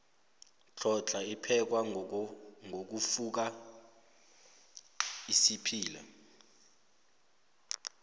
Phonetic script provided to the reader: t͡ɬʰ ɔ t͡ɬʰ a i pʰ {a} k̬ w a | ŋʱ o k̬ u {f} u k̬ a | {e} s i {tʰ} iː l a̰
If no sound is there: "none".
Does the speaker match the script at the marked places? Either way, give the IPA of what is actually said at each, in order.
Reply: ɛ, f, i, pʰ

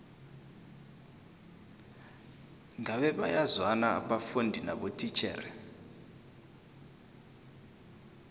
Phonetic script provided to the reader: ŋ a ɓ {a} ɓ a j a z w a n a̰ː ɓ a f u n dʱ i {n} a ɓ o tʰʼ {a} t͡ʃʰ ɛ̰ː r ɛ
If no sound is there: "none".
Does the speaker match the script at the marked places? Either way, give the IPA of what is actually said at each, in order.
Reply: ɛ, n, i

